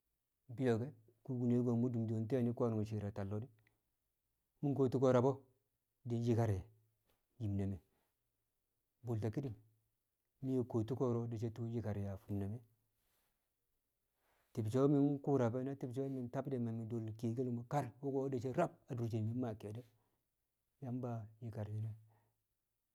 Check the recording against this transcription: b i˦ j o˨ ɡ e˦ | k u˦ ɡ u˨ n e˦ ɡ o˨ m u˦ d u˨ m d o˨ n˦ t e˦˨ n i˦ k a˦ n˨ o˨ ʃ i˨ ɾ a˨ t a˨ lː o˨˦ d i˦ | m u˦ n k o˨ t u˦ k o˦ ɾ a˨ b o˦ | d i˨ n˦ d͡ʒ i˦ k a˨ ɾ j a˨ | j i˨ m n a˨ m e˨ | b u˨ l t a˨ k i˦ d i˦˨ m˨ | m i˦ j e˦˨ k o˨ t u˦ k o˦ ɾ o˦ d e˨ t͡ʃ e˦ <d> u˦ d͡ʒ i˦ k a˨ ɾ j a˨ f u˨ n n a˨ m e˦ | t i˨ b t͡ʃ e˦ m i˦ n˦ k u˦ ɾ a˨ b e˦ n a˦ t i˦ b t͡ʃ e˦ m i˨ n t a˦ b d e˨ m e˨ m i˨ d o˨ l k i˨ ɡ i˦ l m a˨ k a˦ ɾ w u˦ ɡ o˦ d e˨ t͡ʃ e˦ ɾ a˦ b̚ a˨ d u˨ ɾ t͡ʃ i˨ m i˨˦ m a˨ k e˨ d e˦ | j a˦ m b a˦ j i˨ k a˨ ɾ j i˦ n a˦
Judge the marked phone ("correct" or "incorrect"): incorrect